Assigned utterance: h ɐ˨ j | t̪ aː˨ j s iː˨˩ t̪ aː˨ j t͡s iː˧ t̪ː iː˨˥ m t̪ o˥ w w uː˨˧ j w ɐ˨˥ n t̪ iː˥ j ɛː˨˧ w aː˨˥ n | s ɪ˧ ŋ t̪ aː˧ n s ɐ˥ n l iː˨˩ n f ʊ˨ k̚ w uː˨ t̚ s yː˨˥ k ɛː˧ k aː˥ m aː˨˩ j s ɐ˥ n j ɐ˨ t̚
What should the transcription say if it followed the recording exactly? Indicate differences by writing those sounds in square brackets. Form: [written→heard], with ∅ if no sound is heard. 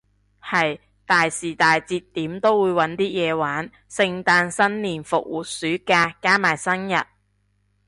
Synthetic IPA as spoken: h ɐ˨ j | t̪ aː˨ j s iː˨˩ t̪ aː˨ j t͡s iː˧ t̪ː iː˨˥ m t̪ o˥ w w uː˨˧ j w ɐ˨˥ n t̪ iː˥ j ɛː˨˧ w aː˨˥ n | s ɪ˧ ŋ t̪ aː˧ n s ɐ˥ n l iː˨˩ n f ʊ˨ k̚ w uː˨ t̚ s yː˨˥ k [ɛː˧→aː˧] k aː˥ m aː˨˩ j s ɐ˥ n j ɐ˨ t̚